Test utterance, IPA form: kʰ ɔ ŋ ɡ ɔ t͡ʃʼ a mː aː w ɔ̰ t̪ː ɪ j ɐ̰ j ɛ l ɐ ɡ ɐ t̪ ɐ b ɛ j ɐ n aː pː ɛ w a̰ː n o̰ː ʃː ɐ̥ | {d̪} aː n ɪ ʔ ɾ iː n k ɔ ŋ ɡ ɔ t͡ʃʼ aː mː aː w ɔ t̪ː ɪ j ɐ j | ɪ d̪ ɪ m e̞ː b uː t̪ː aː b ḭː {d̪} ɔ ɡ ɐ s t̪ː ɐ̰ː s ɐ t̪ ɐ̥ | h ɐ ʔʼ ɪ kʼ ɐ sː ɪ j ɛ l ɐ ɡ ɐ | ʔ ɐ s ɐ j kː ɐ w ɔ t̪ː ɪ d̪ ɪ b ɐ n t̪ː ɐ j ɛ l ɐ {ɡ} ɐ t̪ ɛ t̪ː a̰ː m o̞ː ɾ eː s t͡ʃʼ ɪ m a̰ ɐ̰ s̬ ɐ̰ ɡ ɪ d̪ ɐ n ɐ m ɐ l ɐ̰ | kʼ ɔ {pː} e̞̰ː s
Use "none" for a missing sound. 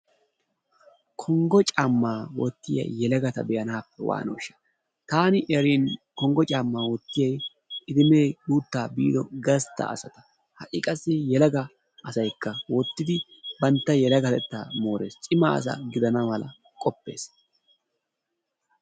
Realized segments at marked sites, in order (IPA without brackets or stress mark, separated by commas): t̪, d̪, ɡ, pː